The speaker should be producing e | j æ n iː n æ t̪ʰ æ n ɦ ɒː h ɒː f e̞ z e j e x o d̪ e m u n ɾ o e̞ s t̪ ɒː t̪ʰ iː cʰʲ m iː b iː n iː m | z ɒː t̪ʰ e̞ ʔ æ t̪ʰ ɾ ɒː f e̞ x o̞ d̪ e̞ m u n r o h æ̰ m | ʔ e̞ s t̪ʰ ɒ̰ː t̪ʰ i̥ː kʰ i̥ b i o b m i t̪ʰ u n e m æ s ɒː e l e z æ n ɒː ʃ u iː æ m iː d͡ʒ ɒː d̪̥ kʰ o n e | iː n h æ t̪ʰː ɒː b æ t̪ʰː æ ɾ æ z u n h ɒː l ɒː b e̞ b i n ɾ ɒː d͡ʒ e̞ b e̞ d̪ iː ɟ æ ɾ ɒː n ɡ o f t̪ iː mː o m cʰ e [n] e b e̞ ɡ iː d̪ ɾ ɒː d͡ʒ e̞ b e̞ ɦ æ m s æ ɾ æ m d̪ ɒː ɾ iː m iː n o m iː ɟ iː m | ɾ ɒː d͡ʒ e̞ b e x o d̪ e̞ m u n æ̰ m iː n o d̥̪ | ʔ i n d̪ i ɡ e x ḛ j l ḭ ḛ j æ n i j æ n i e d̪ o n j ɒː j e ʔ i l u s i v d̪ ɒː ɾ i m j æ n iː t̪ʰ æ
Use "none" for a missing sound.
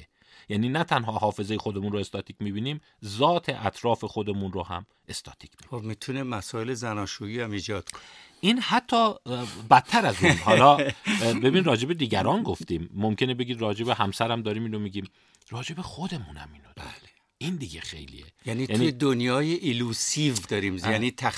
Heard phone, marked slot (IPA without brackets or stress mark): n